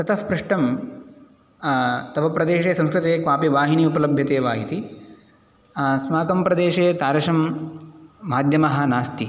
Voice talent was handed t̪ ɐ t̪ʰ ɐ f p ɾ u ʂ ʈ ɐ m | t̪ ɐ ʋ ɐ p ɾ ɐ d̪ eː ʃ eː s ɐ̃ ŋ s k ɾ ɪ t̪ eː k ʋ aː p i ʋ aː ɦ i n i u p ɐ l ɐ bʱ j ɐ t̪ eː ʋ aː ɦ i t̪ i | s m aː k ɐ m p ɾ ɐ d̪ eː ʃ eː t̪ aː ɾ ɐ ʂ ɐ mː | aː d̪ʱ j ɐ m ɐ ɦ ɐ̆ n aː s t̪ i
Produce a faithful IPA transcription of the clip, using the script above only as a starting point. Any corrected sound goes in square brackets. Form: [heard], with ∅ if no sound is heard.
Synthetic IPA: t̪ ɐ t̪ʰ ɐ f p ɾ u ʂ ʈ ɐ m | t̪ ɐ ʋ ɐ p ɾ ɐ d̪ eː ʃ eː s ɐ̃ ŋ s k ɾ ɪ t̪ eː k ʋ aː p i ʋ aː ɦ i n i u p ɐ l ɐ bʱ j ɐ t̪ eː ʋ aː ɦ i t̪ i | s m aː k ɐ m p ɾ ɐ d̪ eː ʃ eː t̪ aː ɾ ɐ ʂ ɐ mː | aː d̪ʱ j ɐ m ɐ ɦ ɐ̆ n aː s t̪ i